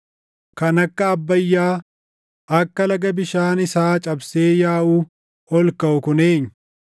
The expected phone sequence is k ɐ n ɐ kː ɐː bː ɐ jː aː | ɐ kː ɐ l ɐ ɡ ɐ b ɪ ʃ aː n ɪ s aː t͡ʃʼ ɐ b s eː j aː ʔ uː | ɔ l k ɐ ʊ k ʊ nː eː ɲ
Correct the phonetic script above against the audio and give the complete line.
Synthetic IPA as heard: k ɐ n ɐ kː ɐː bː ɐ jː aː | ɐ kː ɐ l ɐ ɡ ɐ b ɪ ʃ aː n ɪ s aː t͡ʃʼ ɐ b s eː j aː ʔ uː | ɔ l k ɐ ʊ k ʊ n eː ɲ